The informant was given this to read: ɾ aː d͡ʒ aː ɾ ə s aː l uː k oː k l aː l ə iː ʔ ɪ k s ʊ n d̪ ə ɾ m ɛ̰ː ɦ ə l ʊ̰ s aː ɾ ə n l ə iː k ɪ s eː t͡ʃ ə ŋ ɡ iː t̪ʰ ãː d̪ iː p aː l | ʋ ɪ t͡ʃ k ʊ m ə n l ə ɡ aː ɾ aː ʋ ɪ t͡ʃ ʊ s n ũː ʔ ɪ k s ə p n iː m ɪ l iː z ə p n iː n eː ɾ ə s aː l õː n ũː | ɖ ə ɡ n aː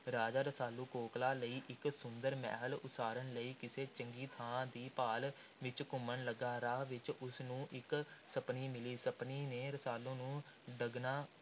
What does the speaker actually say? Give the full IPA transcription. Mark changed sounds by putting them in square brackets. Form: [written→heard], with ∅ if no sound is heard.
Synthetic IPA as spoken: ɾ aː d͡ʒ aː ɾ ə s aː l uː k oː k l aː l ə iː ʔ ɪ k s ʊ n d̪ ə ɾ m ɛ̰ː ɦ ə l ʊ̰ s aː ɾ ə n l ə iː k ɪ s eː t͡ʃ ə ŋ ɡ iː t̪ʰ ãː d̪ iː p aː l | ʋ ɪ t͡ʃ k ʊ m ə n l ə ɡ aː ɾ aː ʋ ɪ t͡ʃ ʊ s n ũː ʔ ɪ k s ə p n iː m ɪ l iː [z→s] ə p n iː n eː ɾ ə s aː l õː n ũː | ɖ ə ɡ n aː